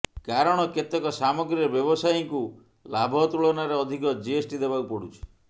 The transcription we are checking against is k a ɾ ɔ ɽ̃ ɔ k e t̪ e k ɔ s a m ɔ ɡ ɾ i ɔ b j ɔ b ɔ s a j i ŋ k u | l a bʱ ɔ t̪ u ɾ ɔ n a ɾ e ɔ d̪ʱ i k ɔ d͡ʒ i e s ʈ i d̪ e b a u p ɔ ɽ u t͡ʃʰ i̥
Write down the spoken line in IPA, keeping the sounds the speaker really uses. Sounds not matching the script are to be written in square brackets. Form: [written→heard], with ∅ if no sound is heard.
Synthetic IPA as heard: k a ɾ ɔ ɽ̃ ɔ k e t̪ e k ɔ s a m ɔ ɡ ɾ i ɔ b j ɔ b ɔ s a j i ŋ k u | l a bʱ ɔ t̪ u [ɾ→ɭ] ɔ n a ɾ e ɔ d̪ʱ i k ɔ d͡ʒ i e s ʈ i d̪ e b a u p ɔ ɽ u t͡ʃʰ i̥